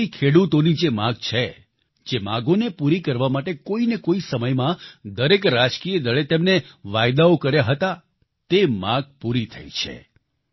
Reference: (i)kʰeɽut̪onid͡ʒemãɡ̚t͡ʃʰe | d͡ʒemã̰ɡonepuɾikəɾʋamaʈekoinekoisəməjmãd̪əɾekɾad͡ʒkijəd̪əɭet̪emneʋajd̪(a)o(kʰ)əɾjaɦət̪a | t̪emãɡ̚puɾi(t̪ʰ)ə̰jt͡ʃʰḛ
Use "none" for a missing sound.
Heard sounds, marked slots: i, a, k, t̪ʰ

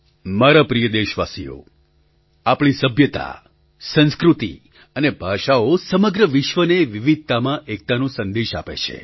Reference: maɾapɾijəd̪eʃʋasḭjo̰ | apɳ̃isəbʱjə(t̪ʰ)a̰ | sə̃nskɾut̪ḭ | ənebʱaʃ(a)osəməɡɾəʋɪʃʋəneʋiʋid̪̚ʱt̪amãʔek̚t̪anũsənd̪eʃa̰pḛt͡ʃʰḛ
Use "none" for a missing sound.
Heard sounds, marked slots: t̪, a

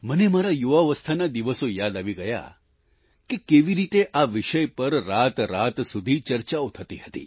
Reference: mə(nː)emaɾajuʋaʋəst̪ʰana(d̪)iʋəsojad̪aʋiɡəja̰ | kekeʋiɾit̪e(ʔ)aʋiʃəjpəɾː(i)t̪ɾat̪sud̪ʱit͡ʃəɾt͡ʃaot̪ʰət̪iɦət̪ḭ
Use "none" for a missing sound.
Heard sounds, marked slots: n, d̪, ʔ, a

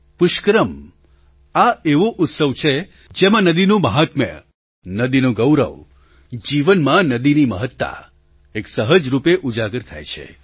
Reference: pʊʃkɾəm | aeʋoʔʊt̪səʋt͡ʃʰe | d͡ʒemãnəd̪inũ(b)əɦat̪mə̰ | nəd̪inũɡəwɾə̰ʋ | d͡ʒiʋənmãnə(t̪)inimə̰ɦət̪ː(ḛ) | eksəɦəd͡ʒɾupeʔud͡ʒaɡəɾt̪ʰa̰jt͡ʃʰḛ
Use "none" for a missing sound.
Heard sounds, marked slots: m, d̪, a̰

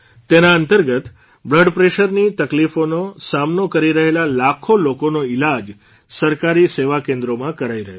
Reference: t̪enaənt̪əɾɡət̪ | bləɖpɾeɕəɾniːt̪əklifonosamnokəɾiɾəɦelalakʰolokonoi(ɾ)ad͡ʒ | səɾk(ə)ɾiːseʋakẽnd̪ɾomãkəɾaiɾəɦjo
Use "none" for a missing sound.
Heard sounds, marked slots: l, a

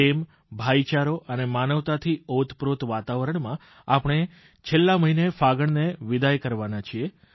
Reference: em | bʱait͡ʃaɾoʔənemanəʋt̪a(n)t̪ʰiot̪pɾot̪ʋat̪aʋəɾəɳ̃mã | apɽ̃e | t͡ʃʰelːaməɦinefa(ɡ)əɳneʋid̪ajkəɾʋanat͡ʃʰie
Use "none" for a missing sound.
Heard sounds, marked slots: none, ɡ

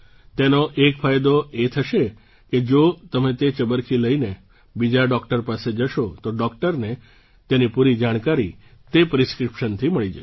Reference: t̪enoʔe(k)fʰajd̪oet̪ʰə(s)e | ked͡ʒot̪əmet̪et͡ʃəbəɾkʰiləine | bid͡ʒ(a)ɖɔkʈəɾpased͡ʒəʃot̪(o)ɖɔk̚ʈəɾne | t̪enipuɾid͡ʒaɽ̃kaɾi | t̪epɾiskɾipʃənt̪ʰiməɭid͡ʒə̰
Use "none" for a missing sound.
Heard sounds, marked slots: k, ʃ, a, o

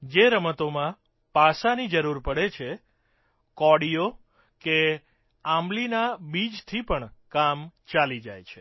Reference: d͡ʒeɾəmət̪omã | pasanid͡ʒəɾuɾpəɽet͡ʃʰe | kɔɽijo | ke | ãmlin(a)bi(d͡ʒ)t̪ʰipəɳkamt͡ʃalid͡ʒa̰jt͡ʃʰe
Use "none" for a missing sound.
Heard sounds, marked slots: a, d͡ʒ

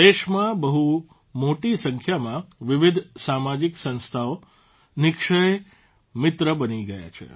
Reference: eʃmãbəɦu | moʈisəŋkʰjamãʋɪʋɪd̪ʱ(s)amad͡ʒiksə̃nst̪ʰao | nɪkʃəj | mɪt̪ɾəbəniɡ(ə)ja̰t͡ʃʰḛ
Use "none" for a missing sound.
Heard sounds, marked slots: s, ə

